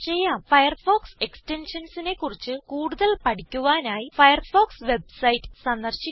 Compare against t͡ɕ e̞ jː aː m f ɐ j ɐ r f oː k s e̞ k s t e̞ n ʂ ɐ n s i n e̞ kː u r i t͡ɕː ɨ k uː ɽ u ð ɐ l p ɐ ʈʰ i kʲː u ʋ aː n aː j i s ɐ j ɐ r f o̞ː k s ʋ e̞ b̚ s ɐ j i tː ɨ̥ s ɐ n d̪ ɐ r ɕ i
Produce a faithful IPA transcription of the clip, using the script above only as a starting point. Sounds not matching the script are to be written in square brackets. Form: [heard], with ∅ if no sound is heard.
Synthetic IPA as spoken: t͡ɕ e̞ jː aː m f ɐ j ɐ r f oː k s e̞ k s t e̞ n ʂ ɐ n s i n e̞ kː u r i t͡ɕː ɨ k uː ɽ u ð ɐ l p ɐ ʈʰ i kʲː u ʋ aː n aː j i [f] ɐ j ɐ r f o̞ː k s ʋ e̞ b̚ s ɐ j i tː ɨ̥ s ɐ n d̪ ɐ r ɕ i